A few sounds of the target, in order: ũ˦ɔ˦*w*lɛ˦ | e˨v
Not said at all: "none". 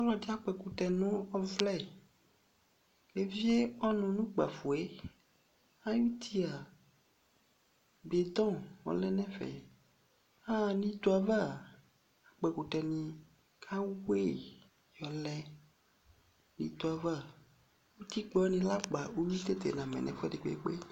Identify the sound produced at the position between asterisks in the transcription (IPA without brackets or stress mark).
v